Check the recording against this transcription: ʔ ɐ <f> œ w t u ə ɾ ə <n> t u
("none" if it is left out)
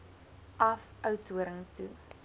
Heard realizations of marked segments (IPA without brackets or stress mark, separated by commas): f, ŋ